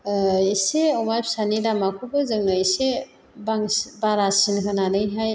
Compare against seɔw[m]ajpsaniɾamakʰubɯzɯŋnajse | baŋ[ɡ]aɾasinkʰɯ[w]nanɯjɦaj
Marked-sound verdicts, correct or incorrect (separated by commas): correct, incorrect, incorrect